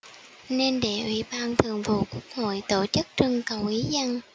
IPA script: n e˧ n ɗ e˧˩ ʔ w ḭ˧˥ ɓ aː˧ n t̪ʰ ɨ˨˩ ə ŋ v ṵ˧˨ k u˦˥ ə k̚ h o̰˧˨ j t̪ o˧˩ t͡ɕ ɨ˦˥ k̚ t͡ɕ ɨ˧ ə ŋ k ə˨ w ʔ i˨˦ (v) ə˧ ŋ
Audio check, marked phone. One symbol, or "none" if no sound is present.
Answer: z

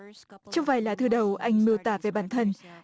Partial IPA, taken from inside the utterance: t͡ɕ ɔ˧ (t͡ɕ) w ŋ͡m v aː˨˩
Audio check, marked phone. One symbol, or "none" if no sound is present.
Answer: none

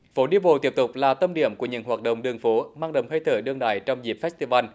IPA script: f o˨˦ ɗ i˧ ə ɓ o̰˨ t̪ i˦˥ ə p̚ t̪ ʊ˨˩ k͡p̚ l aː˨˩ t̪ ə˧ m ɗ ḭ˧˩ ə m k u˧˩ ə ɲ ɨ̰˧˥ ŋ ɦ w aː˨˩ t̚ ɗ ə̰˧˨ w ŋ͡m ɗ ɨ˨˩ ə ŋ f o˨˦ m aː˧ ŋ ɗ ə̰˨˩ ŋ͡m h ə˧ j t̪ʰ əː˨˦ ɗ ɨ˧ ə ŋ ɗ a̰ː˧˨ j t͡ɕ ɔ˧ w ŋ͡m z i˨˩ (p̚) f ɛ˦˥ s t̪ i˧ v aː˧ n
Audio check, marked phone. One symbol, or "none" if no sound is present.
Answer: p̚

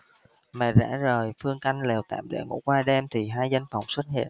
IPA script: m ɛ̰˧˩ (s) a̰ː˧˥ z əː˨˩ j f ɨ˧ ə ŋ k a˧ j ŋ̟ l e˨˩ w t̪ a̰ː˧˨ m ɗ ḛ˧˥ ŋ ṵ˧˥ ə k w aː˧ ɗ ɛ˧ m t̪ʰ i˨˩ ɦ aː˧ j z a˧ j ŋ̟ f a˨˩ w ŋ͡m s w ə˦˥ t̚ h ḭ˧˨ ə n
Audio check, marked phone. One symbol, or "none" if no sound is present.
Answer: z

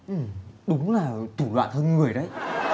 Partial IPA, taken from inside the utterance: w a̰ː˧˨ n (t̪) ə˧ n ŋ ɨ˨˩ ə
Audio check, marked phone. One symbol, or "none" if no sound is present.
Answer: t̪ʰ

